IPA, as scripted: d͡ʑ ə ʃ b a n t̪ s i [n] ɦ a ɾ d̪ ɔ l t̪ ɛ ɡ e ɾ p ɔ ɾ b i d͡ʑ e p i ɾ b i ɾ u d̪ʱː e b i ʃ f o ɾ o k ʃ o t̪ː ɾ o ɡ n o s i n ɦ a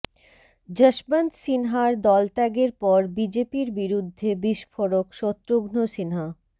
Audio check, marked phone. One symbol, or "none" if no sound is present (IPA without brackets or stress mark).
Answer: n